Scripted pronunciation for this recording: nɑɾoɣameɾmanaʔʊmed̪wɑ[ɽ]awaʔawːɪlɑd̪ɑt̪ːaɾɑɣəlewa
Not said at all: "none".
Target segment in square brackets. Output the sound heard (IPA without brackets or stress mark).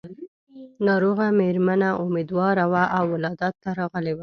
ɾ